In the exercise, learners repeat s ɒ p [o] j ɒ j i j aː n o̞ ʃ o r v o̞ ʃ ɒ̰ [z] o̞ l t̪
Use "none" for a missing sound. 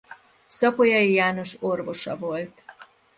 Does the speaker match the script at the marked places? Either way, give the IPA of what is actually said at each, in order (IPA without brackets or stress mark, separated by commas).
o, v